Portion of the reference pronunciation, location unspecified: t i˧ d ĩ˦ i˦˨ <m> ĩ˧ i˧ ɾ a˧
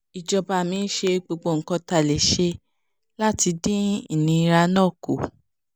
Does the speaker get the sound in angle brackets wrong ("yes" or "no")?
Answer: yes